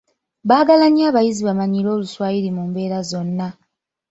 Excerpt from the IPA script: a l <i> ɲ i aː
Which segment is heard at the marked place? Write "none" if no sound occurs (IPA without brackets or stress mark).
a